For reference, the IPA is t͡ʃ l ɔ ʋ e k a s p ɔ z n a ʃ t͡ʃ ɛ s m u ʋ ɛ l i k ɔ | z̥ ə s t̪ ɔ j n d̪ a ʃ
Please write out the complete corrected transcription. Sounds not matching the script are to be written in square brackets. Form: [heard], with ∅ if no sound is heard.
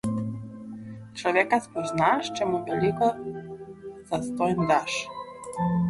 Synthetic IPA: t͡ʃ l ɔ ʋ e k a s p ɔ z n a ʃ t͡ʃ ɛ [∅] m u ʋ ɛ l i k ɔ | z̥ [a] s t̪ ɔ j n d̪ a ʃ